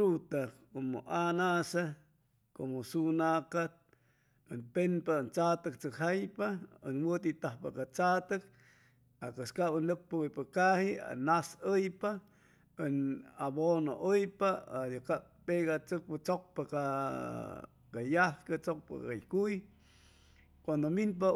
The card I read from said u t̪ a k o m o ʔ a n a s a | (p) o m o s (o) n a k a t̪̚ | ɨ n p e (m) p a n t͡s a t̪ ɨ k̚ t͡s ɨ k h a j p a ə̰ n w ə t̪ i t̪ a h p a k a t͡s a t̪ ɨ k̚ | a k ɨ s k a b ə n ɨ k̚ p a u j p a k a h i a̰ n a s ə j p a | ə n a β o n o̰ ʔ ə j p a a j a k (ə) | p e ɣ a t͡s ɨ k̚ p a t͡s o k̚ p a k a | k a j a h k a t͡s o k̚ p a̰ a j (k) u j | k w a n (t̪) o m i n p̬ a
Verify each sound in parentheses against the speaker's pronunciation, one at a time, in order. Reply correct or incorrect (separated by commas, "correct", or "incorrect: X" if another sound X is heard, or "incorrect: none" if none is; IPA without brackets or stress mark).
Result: incorrect: k, incorrect: u, incorrect: n, incorrect: a, correct, incorrect: d̪